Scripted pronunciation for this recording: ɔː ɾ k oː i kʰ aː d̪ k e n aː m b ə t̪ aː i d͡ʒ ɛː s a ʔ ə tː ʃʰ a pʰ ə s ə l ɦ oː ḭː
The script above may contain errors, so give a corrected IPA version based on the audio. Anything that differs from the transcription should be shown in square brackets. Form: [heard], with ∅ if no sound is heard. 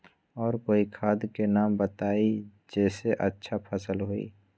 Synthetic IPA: ɔː ɾ k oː i kʰ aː d̪ k e n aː m b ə t̪ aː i d͡ʒ ɛː s [e] ʔ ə tː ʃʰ a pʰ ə s ə l ɦ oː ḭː